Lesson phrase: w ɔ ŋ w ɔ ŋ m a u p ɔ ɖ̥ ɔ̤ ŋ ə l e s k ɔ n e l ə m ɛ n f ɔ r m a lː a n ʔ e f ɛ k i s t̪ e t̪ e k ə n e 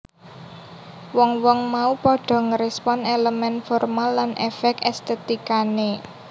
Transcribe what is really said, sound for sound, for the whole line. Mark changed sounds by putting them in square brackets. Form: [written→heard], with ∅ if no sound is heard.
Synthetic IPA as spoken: w ɔ ŋ w ɔ ŋ m a u p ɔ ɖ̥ ɔ̤ ŋ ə [l→ɾ] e s [k→p] ɔ n e l ə m ɛ n f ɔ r m a lː a n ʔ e f ɛ k [i→ɛ] s t̪ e t̪ [e→i] k [ə→a] n e